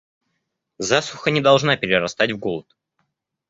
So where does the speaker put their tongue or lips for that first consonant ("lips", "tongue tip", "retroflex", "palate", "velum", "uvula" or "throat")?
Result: tongue tip